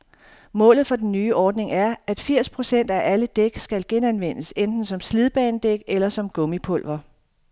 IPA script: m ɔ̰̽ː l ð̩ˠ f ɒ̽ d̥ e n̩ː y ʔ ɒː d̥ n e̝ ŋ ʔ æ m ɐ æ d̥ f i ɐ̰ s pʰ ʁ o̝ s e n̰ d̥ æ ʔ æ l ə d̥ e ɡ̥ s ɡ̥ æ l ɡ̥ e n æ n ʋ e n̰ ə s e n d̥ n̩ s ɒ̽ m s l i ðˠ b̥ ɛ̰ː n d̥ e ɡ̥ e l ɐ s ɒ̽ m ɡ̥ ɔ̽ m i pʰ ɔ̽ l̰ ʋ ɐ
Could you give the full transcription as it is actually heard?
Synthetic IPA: m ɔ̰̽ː l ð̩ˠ f ɒ̽ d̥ e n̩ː yː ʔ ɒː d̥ n e̝ ŋ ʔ æ ɐ æ d̥ f i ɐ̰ s pʰ ʁ o̝ s e n̰ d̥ æ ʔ æ l ə d̥ e ɡ̥ s ɡ̥ æ l ɡ̥ e n æ n ʋ e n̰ ə s e n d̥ n̩ s ɒ̽ m s l i ðˠ b̥ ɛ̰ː n d̥ e ɡ̥ e l ɐ s ɒ̽ m ɡ̥ ɔ̽ m i pʰ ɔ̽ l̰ ʋ ɐ